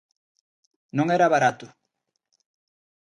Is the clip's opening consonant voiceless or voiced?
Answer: voiced